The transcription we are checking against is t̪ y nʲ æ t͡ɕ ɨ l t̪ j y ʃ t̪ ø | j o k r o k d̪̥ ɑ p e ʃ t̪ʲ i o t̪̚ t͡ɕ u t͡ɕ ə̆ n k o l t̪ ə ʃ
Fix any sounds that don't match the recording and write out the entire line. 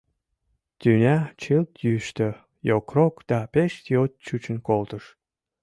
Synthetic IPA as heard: t̪ y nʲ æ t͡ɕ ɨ l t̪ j y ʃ t̪ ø | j o k r o k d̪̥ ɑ p e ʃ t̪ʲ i o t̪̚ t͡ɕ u t͡ɕ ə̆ n k o l t̪ ə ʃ

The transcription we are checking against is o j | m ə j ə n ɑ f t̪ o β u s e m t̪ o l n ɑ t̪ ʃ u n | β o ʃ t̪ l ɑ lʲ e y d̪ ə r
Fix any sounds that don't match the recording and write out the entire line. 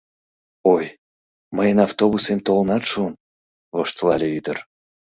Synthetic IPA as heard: o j | m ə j ə n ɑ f t̪ o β u s e m t̪ o l n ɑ t̪ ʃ u n | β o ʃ t̪ l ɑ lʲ e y d̪ ə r

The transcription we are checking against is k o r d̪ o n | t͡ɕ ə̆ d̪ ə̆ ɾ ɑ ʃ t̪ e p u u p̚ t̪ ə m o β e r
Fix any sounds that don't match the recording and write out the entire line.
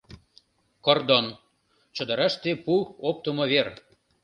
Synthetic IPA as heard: k o r d̪ o n | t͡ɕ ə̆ d̪ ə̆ ɾ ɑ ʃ t̪ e p u o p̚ t̪ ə m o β e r

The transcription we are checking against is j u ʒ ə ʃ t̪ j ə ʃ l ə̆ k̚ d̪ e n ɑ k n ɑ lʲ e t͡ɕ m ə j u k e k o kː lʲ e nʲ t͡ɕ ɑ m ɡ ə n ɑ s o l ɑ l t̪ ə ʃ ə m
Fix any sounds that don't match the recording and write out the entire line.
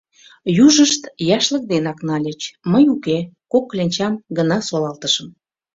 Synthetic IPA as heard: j u ʒ ə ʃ t̪ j ɑ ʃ l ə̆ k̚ d̪ e n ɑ k n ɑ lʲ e t͡ɕ m ə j u k e k o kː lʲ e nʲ t͡ɕ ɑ m ɡ ə n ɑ s o l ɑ l t̪ ə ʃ ə m

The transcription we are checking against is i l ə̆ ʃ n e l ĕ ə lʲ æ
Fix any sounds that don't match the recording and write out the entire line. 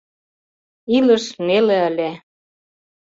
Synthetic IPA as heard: i l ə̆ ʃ n e l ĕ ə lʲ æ

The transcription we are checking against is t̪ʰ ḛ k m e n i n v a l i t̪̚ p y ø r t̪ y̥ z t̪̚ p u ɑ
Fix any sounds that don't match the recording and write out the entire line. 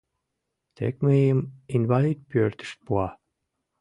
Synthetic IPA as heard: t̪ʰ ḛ k m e m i n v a l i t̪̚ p y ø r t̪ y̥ s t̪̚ p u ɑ

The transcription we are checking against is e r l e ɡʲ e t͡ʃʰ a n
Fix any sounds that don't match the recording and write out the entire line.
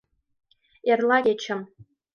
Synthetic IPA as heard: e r l a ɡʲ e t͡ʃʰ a m

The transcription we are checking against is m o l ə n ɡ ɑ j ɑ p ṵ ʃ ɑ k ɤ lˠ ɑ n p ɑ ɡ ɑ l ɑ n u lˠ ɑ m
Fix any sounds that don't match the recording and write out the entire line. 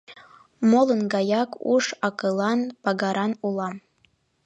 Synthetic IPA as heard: m o l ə n ɡ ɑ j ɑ k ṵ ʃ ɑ k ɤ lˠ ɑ n p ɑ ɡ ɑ ɾ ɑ n u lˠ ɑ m

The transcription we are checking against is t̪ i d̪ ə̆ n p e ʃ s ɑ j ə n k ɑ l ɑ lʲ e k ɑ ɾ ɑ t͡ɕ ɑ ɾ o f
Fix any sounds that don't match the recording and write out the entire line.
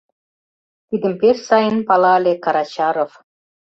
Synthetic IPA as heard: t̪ i d̪ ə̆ m p e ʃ s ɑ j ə n p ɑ l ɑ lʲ e k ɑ ɾ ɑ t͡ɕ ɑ ɾ o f

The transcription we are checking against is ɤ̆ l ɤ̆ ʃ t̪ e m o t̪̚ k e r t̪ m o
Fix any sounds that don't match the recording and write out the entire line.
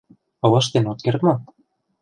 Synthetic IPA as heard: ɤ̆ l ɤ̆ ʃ t̪ e n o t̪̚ k e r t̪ m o

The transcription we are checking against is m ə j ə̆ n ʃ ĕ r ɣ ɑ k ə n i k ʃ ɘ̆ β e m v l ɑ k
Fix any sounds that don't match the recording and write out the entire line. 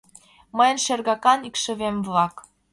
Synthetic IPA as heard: m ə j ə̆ n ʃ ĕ r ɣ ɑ k ɑ n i k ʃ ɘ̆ β e m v l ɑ k

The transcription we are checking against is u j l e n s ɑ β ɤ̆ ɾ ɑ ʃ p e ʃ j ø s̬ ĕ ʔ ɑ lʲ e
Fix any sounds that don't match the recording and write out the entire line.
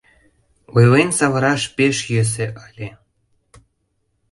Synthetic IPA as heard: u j l e n s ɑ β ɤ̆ ɾ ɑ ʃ p e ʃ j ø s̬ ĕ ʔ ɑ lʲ e

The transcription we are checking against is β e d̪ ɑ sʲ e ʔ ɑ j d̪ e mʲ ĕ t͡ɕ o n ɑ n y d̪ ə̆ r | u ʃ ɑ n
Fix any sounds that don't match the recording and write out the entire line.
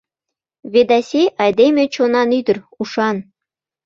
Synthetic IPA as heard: β e d̪ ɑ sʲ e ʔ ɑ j d̪ e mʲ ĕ t͡ɕ o n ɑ n y d̪ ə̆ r | u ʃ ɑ n

